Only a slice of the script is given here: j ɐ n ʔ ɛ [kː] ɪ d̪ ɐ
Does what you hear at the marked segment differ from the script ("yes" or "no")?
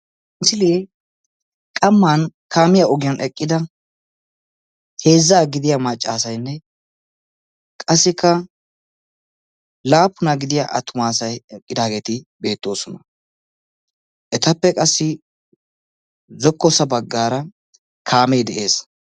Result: yes